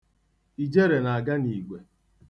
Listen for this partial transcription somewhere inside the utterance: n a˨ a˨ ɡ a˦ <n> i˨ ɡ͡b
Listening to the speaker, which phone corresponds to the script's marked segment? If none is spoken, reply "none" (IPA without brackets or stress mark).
n